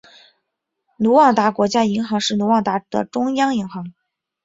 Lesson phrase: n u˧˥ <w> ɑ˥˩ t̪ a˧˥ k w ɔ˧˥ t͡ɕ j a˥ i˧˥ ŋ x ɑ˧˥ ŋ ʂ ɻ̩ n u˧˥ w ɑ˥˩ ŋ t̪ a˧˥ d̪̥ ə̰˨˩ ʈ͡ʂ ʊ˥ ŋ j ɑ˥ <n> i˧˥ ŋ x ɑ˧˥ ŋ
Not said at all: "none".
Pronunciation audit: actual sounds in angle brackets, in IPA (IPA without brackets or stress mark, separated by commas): w, ŋ